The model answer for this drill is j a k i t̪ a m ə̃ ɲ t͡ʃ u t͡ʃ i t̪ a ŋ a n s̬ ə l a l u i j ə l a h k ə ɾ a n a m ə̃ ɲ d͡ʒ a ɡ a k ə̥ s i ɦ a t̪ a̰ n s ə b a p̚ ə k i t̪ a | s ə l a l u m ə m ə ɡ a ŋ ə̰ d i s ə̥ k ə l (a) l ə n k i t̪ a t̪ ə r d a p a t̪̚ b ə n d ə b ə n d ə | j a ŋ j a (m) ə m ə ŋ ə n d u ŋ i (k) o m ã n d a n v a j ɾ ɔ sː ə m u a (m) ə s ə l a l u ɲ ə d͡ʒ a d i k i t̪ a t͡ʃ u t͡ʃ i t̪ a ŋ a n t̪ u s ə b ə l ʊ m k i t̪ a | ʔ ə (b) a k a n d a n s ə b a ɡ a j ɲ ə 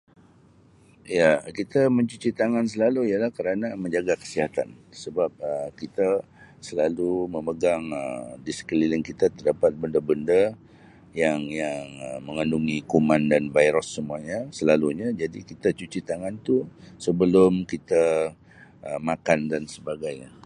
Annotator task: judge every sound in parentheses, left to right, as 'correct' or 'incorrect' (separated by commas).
incorrect, incorrect, correct, incorrect, incorrect